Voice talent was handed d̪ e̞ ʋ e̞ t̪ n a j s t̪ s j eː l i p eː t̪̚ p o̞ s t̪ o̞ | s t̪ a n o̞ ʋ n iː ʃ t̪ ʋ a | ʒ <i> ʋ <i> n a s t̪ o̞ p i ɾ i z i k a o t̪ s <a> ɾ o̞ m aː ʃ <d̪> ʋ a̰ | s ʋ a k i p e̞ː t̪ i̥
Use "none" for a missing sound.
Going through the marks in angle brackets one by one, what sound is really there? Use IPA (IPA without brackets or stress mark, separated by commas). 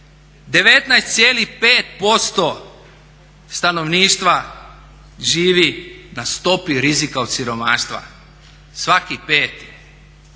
iː, i, i, t̪